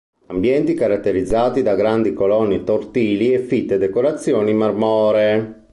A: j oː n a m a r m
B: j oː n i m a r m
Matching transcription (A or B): B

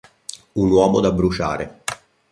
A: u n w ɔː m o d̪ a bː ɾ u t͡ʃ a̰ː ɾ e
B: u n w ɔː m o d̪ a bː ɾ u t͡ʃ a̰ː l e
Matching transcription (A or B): A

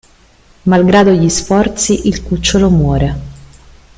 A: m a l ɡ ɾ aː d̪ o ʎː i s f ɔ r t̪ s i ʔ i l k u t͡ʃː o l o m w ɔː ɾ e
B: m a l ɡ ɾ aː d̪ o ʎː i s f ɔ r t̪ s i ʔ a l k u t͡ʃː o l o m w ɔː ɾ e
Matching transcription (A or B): A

